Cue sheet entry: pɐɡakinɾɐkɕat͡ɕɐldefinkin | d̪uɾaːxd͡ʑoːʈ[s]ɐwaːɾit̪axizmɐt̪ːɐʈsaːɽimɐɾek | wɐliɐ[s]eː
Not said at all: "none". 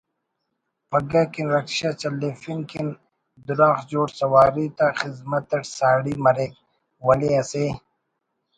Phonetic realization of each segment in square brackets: s, s

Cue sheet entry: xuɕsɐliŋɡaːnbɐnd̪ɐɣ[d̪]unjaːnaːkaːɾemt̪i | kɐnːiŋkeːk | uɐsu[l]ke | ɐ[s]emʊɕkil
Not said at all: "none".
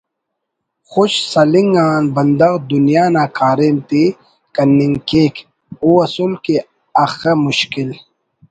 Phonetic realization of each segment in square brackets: d̪, l, x

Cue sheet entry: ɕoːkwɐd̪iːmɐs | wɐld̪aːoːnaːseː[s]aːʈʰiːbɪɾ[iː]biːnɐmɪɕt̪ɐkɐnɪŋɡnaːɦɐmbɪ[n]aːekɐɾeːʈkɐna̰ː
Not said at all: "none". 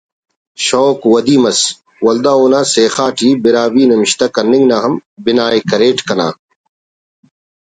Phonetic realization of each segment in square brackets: x, aː, n

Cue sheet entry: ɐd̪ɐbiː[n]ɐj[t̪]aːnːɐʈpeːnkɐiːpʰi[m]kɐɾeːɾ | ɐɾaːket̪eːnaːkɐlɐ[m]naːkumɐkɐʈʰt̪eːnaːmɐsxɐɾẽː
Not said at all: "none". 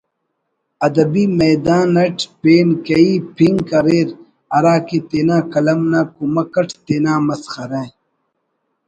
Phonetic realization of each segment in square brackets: m, d̪, ŋ, m

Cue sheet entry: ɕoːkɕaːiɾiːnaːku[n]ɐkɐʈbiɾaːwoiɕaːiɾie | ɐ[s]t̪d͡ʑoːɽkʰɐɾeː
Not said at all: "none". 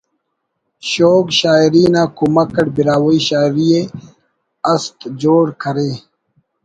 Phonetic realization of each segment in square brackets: m, s

